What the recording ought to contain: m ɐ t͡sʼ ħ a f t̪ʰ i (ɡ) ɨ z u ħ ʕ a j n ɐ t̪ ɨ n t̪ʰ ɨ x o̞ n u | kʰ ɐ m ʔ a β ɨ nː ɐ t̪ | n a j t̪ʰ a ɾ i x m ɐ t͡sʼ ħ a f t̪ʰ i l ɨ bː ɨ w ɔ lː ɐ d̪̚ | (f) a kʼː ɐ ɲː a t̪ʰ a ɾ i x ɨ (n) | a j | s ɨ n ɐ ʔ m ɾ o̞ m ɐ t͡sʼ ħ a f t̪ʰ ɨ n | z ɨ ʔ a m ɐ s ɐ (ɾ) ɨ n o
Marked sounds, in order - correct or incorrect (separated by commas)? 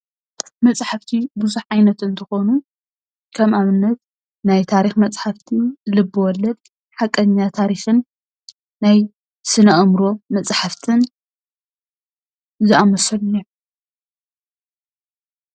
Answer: incorrect, incorrect, incorrect, incorrect